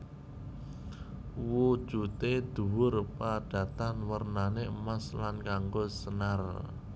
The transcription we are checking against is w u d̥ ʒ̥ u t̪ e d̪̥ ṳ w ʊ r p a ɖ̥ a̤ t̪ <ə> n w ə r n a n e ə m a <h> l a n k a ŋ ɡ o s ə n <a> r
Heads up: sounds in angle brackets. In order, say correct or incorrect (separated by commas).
incorrect, incorrect, correct